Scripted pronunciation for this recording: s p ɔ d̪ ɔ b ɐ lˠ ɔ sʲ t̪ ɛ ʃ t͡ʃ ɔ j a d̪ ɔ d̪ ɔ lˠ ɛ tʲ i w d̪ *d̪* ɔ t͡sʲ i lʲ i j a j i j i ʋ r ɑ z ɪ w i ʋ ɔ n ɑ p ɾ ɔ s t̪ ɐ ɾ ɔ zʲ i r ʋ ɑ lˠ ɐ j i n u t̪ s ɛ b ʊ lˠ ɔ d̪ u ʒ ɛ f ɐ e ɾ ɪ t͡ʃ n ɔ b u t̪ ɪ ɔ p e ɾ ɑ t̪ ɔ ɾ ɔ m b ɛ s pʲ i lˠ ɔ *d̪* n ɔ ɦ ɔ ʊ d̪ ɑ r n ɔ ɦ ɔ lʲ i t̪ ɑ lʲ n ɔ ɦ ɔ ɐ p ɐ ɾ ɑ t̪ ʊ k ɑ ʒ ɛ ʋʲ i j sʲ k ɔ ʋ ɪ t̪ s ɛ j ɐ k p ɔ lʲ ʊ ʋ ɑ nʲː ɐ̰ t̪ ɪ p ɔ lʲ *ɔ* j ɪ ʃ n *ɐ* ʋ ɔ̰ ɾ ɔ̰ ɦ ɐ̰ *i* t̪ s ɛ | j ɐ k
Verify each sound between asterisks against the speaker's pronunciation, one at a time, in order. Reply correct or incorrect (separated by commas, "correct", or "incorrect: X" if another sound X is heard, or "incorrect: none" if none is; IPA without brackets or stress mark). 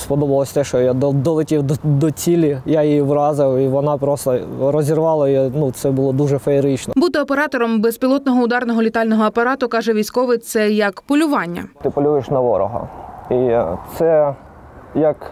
correct, incorrect: t̪, incorrect: u, correct, correct